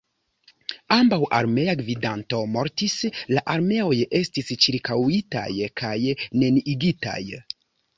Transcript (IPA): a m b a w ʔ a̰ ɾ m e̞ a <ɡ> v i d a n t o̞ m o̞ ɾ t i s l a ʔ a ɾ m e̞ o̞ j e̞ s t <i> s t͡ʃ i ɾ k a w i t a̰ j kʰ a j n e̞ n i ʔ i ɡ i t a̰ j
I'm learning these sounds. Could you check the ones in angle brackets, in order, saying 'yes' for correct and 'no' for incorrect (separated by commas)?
yes, yes